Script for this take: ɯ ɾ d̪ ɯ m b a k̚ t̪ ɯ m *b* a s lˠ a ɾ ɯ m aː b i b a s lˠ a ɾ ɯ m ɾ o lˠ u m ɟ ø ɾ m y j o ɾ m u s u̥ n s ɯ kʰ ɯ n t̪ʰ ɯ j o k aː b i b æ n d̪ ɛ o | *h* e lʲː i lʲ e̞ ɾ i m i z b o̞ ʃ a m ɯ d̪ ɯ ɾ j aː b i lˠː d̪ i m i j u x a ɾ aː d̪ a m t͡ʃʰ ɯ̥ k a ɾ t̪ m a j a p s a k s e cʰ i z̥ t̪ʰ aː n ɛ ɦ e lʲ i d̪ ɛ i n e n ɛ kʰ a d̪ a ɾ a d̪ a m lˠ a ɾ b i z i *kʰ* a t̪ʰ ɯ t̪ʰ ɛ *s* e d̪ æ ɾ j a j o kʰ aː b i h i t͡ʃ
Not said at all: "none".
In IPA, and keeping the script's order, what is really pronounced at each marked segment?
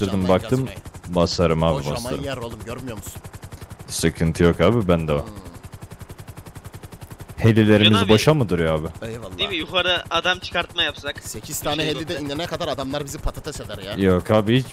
b, h, pʰ, s

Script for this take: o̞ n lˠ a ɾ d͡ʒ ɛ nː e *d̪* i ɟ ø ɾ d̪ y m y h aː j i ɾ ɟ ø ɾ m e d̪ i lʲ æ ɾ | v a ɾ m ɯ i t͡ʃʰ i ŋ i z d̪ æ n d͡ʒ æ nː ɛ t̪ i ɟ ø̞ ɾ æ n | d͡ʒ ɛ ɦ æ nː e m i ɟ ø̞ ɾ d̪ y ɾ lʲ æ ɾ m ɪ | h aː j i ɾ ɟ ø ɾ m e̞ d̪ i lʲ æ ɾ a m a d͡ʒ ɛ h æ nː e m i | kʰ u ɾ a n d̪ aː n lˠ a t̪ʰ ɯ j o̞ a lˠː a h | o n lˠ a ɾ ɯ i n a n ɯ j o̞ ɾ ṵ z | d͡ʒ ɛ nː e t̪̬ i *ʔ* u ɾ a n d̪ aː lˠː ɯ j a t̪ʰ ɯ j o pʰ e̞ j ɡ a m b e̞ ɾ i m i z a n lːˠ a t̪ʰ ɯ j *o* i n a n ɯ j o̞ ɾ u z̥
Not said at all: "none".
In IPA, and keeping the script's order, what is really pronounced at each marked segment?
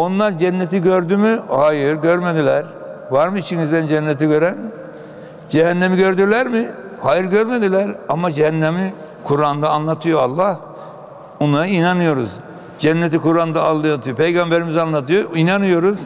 t̪, k, o

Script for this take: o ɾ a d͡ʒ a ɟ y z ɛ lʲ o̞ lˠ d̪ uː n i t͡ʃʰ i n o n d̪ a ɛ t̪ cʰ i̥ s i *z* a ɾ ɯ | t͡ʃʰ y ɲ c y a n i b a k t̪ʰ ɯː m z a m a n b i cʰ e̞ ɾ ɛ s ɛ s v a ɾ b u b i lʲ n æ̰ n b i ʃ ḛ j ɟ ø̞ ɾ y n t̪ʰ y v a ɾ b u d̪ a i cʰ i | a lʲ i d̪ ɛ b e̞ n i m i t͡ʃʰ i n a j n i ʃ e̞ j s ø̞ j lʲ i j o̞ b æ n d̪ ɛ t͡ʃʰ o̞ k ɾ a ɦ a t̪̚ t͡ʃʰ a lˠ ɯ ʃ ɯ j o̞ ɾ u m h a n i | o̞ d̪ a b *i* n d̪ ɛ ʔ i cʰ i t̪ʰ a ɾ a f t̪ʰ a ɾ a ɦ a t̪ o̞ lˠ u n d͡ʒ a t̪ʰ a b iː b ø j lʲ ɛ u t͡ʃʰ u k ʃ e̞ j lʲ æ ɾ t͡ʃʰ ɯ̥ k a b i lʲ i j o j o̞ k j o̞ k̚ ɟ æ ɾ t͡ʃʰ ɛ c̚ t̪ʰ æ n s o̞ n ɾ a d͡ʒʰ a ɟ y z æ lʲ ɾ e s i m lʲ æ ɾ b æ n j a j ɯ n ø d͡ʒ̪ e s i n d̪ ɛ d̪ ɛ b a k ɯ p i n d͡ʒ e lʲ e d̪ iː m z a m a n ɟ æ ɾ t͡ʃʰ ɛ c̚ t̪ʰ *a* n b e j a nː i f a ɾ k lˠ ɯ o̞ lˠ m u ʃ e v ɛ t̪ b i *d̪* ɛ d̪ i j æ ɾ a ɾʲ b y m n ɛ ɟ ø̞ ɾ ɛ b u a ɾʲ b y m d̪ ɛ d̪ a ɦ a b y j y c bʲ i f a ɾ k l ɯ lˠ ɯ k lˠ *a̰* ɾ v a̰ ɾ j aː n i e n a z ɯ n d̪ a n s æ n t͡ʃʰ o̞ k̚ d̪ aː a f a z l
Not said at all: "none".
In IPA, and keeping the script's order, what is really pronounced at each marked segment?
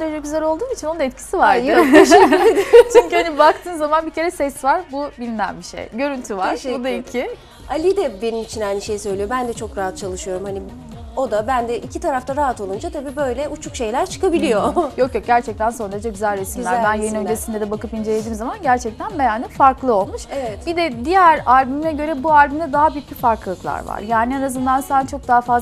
v, æ, æ, d̪, a̰

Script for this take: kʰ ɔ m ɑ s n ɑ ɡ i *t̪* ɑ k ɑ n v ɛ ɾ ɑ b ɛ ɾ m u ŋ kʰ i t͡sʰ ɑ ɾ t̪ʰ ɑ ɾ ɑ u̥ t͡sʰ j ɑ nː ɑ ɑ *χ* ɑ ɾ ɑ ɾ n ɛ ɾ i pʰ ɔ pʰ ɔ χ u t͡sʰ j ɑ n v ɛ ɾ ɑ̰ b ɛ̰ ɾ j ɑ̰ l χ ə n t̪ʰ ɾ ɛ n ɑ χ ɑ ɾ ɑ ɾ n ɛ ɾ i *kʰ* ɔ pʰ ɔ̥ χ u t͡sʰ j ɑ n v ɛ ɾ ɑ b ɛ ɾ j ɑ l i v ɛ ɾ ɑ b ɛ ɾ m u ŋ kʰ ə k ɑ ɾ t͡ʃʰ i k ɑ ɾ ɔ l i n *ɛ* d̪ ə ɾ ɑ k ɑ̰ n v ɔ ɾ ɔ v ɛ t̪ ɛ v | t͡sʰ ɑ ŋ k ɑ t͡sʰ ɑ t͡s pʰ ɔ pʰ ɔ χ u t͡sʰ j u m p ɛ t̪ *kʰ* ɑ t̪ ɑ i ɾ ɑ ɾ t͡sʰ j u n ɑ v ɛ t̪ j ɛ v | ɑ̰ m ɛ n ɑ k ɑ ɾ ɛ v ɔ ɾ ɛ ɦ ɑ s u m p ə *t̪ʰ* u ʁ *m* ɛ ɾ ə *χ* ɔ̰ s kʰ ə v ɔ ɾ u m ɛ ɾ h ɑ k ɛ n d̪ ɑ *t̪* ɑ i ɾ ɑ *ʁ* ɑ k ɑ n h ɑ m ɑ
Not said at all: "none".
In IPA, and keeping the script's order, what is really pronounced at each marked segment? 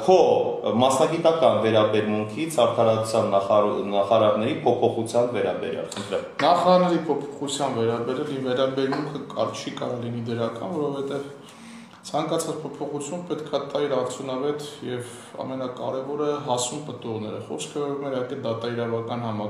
t̪, χ, pʰ, i, kʰ, t̪, n, χ, t̪, v

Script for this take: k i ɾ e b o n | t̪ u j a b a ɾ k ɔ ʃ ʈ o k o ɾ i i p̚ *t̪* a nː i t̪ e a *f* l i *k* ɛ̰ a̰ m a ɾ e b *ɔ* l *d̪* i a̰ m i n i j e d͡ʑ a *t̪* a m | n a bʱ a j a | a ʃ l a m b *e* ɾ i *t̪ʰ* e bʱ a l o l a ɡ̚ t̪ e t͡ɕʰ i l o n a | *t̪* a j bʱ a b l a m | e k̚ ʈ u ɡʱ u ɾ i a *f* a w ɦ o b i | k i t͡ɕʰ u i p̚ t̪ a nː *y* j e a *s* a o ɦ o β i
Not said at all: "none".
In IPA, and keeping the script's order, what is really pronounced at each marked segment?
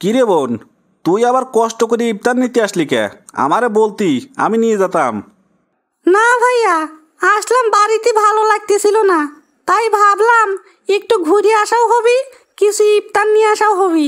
t̪, ʃ, k, o, t̪, t̪, a, t̪, t̪, ʃ, i, ʃ

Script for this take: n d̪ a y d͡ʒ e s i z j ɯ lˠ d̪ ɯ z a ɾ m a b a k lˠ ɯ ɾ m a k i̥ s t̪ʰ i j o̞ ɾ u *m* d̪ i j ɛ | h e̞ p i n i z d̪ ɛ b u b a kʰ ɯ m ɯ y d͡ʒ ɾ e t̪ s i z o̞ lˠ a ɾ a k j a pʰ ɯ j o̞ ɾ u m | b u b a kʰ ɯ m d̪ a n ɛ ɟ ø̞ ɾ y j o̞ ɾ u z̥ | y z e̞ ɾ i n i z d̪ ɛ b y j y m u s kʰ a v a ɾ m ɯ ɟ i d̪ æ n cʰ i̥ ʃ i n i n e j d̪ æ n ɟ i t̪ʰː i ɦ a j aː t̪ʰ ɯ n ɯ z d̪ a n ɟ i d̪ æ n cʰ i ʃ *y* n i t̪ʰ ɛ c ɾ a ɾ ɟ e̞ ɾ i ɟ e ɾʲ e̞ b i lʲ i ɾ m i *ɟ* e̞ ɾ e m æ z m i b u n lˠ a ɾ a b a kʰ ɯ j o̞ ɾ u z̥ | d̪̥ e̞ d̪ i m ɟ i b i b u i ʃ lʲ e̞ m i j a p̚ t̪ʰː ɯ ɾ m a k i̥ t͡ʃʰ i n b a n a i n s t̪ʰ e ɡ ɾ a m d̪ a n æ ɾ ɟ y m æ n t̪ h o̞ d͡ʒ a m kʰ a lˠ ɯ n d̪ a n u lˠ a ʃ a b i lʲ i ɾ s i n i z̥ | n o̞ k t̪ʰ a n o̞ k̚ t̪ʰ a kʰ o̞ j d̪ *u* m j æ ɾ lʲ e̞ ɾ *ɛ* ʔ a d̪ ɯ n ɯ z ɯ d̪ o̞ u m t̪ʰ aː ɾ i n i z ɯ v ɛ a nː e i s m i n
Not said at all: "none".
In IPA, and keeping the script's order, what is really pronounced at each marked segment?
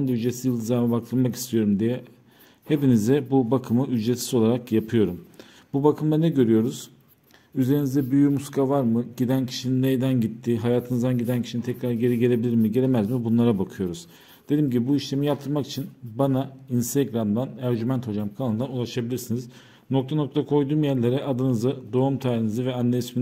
m, i, ɟ, uː, ɛ

